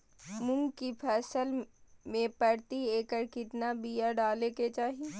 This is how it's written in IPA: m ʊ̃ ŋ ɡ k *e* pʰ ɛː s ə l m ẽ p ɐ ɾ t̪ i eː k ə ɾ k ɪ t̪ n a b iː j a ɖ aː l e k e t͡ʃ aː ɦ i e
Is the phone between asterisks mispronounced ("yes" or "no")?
yes